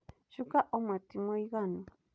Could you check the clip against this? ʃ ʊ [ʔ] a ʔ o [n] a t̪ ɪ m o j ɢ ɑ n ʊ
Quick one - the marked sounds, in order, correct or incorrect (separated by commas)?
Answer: incorrect, incorrect